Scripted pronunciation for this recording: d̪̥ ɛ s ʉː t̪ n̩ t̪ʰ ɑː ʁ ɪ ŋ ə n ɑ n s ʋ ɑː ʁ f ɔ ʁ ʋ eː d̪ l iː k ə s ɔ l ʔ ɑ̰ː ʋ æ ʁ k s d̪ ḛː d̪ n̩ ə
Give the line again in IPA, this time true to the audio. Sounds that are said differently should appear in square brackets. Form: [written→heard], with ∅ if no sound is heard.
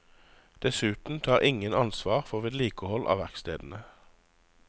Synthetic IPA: d̪̥ ɛ s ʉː t̪ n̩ t̪ʰ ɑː ʁ ɪ ŋ ə n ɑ n s ʋ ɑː ʁ f ɔ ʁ ʋ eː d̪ l iː k ə [s→h] ɔ l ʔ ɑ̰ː ʋ æ ʁ k s [d̪→t̪] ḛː d̪ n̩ ə